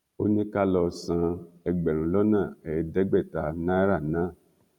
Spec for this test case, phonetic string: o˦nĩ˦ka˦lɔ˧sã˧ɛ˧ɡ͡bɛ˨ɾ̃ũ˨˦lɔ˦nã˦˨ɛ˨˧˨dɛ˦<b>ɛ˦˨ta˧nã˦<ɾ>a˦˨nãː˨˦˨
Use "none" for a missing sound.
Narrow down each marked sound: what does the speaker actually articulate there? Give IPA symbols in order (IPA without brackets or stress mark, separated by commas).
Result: ɡ͡b, ɾ